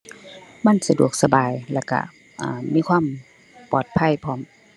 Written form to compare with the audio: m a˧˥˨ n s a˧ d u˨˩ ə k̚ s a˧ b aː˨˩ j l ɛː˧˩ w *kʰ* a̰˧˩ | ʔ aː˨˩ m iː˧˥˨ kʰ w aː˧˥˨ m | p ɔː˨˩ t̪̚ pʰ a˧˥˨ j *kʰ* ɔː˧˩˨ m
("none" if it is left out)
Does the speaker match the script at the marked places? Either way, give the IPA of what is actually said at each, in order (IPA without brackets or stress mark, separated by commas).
k, pʰ